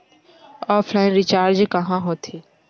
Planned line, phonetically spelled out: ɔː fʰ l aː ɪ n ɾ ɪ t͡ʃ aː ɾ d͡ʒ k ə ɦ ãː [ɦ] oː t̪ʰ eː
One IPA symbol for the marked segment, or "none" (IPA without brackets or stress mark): ɦ